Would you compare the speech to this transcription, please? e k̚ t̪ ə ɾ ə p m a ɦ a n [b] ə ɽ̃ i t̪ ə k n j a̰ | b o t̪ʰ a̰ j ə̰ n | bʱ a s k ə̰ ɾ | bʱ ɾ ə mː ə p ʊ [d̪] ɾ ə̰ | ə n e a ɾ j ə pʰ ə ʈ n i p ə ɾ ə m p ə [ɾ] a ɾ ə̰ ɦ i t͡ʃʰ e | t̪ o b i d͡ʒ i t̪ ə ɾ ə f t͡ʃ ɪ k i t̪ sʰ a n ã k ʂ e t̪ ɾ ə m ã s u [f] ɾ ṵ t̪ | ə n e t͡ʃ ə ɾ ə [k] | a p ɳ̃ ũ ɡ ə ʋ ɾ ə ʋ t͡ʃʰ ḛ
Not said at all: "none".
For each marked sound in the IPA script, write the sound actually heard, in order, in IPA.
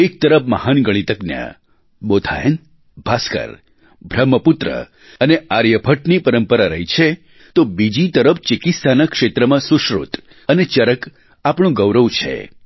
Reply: ɡ, t̪, ɾ, ʃ, k

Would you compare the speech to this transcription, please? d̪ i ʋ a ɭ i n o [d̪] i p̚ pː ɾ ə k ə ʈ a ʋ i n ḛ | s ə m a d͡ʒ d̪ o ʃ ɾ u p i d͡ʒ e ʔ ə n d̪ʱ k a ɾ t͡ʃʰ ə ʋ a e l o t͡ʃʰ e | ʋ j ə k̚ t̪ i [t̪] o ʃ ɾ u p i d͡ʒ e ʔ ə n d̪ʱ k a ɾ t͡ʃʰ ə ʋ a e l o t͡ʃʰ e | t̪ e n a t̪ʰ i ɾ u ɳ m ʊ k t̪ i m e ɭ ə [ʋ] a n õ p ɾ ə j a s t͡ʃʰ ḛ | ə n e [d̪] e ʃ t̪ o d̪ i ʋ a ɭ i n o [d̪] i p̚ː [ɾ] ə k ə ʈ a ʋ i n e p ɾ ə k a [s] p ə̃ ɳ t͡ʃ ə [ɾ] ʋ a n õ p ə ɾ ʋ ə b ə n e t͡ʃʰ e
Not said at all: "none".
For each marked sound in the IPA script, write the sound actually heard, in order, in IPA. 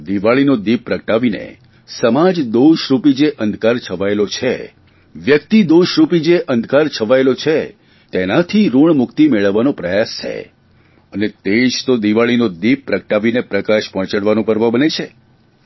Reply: d̪, d̪, ʋː, t̪, d̪, ɾ, ʃ, ɽ

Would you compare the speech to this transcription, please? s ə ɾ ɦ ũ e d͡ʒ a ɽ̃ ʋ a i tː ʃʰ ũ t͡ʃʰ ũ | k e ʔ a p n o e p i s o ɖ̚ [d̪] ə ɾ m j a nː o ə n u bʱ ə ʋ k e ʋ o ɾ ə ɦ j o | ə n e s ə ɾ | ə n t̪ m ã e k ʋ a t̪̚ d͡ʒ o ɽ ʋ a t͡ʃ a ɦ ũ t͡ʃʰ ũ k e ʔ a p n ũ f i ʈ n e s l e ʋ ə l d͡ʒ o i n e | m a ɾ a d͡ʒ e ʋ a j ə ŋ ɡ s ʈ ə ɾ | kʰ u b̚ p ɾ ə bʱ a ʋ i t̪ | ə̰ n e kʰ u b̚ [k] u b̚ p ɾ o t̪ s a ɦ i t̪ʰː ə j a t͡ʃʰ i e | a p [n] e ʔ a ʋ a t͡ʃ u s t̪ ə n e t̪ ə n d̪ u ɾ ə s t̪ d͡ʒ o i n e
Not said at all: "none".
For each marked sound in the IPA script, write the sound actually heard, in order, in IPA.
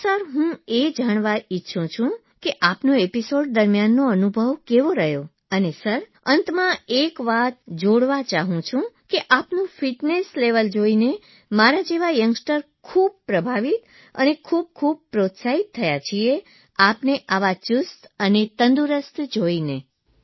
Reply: d̪, kʰ, n

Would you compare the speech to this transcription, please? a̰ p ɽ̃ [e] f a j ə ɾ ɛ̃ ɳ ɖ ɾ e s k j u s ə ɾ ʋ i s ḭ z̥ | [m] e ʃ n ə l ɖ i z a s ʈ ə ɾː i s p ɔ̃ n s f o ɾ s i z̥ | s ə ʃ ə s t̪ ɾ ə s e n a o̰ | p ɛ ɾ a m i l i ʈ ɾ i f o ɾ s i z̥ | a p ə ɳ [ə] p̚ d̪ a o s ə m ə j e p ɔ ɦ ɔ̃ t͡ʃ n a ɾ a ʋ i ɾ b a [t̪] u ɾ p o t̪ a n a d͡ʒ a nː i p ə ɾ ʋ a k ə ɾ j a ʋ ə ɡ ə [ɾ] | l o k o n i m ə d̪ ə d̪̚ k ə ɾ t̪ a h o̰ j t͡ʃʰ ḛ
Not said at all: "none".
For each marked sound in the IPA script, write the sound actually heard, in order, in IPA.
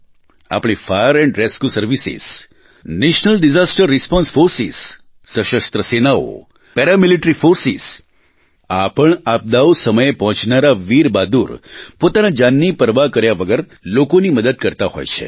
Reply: i, n, a, d̪, ɾ

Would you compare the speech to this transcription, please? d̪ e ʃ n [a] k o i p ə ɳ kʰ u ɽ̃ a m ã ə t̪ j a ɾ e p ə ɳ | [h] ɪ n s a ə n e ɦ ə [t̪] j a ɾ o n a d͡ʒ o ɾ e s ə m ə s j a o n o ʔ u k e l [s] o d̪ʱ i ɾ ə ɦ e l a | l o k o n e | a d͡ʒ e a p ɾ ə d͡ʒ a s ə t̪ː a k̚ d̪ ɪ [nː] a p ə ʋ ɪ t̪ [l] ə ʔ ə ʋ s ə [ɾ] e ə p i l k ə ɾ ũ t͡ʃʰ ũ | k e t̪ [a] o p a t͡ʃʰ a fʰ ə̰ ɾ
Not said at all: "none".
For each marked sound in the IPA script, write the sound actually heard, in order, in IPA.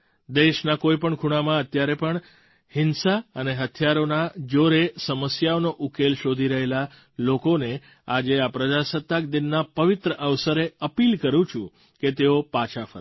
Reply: a, h, t̪ʰ, ʃ, nː, ɾ, ɾ, e

